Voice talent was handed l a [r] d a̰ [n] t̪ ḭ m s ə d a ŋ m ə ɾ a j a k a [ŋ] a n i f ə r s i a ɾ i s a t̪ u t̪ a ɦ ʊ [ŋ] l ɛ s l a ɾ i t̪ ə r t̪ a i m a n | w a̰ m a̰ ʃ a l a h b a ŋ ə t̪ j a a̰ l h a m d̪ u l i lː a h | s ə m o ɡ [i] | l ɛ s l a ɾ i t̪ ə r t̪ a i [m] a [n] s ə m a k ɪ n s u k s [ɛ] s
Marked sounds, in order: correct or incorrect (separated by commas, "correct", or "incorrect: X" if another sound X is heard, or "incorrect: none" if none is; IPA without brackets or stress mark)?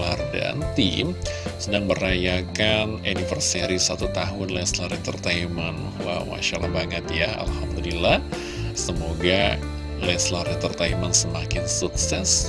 correct, correct, incorrect: n, incorrect: n, incorrect: a, correct, correct, correct